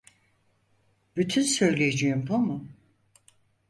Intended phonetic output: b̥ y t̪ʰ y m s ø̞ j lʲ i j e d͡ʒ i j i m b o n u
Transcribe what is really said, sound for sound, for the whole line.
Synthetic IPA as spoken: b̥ y t̪ʰ y n s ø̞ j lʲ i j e d͡ʒ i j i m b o m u